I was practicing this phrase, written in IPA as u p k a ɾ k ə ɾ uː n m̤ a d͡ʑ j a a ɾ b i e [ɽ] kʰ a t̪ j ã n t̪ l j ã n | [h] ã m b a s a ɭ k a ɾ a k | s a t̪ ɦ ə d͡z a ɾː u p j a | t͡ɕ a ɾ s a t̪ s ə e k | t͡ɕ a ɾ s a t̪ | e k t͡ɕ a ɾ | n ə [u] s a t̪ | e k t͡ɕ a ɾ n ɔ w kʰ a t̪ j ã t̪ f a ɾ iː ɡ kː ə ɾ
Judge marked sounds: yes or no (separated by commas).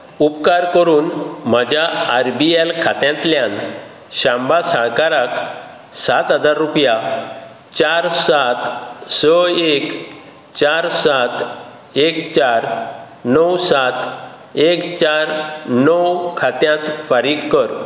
no, no, no